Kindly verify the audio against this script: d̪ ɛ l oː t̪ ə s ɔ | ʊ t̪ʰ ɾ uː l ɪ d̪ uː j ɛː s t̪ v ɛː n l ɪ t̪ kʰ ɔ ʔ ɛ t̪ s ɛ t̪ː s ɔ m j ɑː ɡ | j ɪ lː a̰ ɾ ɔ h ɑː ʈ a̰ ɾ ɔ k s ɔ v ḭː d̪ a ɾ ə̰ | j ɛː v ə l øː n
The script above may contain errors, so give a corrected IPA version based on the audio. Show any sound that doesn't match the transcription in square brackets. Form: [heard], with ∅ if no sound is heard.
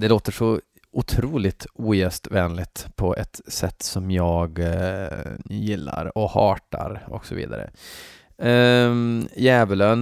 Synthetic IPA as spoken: d̪ ɛ l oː t̪ ə [ʂ] ɔ | ʊ t̪ʰ ɾ uː l ɪ [t̪] uː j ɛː s t̪ v ɛː n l ɪ t̪ [pʰ] ɔ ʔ ɛ t̪ s ɛ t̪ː s ɔ m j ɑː ɡ | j ɪ lː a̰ ɾ ɔ h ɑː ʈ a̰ ɾ ɔ k s ɔ v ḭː d̪ a ɾ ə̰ | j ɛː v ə l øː n